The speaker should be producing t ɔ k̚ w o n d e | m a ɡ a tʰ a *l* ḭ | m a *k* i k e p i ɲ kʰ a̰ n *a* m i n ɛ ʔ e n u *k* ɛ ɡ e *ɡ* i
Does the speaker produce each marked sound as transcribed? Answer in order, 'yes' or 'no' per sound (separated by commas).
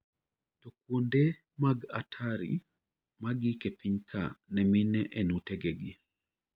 no, no, no, no, yes